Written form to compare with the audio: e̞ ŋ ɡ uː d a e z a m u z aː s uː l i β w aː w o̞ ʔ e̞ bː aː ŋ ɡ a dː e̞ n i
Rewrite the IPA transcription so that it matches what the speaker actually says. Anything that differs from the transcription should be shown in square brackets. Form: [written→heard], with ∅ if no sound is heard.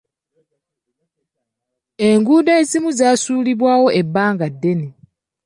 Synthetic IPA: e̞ ŋ ɡ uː d a e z [a→i] m u z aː s uː l i β w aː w o̞ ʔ e̞ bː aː ŋ ɡ a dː e̞ n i